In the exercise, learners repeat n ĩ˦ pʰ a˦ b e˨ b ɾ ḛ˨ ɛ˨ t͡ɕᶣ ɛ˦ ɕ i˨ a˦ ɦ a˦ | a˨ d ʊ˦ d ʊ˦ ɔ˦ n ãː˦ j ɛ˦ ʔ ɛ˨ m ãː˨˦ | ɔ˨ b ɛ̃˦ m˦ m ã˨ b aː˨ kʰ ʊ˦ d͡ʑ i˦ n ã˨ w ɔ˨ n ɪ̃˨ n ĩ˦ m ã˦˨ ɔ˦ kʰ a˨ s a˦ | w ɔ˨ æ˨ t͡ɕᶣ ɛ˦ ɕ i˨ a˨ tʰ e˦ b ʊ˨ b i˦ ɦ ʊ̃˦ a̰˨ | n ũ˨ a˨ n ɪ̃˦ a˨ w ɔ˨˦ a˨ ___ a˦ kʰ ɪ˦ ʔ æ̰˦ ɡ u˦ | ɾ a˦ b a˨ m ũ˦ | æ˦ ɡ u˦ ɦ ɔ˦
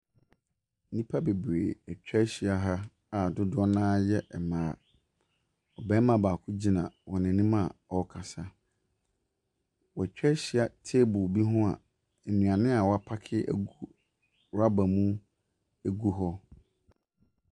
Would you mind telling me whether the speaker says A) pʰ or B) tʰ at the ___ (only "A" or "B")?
A